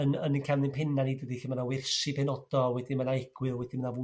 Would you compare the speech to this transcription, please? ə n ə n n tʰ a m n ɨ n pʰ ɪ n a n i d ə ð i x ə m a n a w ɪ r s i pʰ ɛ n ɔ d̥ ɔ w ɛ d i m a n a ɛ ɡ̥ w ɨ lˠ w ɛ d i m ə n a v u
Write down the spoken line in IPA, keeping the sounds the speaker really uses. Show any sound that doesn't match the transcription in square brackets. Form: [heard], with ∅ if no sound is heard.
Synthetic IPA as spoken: ə n ə n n [kʰ] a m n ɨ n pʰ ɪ n a n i d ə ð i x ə m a n a w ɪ r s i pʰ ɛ n ɔ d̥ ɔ w ɛ d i m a n a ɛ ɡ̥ w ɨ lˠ w ɛ d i m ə n a v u